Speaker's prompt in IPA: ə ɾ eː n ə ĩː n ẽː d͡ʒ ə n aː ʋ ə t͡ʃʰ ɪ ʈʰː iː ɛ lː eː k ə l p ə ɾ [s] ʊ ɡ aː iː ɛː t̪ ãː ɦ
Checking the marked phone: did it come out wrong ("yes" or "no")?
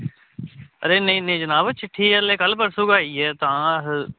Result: no